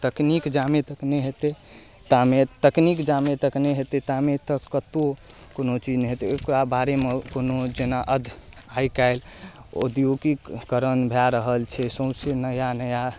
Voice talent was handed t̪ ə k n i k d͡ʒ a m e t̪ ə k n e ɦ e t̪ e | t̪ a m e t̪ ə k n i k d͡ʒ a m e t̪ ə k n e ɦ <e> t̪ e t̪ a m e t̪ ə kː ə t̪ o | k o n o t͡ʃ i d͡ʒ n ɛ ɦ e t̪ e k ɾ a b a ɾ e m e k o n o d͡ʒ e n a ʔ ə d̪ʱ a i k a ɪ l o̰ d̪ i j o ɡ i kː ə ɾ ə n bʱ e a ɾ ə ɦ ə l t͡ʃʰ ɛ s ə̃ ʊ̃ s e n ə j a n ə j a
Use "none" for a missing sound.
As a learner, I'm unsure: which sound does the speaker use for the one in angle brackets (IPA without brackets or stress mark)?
e